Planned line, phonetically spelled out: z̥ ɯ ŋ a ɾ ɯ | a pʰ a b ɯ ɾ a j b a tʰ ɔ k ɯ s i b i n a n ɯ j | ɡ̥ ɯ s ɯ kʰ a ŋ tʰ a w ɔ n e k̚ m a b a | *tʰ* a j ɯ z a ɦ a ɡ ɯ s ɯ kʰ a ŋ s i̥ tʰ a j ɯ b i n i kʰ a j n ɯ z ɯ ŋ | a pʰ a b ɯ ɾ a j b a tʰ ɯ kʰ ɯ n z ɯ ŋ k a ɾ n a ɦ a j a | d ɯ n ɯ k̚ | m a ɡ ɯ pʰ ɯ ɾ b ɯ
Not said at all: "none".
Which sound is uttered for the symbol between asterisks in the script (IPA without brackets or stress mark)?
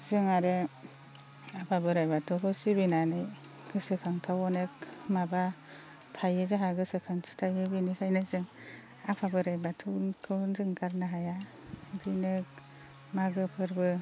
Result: tʰ